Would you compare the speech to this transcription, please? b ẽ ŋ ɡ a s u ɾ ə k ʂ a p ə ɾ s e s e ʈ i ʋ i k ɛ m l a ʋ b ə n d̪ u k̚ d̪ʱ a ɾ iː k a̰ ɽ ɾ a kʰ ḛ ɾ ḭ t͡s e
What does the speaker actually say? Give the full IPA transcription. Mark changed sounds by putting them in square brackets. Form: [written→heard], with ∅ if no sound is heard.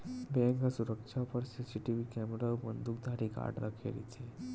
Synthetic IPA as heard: b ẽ ŋ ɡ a s u ɾ ə k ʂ a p ə ɾ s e s [e→i] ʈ i ʋ i k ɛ m [l→ɾ] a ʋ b ə n d̪ u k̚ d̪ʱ a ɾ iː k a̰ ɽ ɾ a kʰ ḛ ɾ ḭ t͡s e